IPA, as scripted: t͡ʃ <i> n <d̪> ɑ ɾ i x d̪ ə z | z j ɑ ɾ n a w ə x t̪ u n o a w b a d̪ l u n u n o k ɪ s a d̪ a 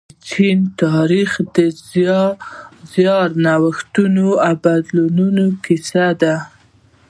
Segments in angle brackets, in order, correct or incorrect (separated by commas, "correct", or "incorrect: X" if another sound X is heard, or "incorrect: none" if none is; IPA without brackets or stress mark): correct, incorrect: t̪